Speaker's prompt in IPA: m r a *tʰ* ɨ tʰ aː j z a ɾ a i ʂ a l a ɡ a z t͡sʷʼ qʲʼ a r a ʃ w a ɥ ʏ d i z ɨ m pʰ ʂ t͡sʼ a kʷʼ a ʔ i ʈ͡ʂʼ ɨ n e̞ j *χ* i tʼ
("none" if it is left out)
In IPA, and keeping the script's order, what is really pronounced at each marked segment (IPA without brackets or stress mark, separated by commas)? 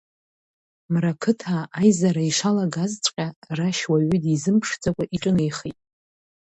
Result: kʰ, χ